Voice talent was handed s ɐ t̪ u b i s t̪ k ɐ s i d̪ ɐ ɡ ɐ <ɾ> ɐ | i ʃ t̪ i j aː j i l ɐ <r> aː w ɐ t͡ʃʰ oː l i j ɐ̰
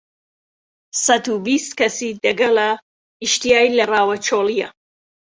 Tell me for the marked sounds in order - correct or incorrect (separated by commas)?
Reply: incorrect, correct